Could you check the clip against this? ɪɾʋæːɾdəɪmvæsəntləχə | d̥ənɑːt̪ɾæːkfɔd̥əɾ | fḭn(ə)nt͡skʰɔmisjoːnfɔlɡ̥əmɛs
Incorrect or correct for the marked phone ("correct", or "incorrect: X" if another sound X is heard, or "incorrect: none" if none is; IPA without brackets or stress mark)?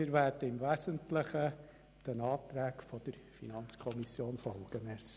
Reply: incorrect: ɑ